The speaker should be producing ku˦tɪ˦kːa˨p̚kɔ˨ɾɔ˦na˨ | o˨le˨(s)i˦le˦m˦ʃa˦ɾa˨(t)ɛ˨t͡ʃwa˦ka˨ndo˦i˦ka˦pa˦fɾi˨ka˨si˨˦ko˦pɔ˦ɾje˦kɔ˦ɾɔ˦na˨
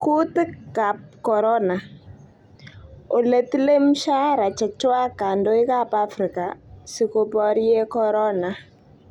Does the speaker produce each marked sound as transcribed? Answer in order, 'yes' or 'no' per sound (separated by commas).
no, no